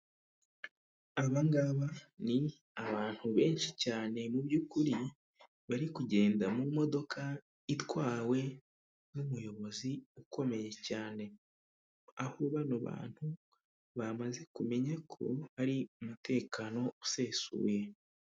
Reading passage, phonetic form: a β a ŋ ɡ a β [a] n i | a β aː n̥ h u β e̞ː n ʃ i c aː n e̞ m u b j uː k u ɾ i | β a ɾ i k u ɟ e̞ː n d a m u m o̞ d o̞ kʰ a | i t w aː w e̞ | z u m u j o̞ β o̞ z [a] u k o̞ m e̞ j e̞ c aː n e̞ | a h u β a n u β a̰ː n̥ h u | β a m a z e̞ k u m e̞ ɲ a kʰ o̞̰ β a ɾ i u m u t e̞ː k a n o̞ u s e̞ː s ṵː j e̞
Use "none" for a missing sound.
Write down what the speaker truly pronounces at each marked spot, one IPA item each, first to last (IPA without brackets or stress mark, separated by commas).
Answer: a, i